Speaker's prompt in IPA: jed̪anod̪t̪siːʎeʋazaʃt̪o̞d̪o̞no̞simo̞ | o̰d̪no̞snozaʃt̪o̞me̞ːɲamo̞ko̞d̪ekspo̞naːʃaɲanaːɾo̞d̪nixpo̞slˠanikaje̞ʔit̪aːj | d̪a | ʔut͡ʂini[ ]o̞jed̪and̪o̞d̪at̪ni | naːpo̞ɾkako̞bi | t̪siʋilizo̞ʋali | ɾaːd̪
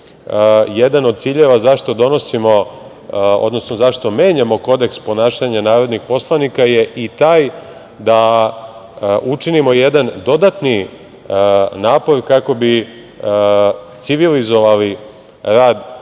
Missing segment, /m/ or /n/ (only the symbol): m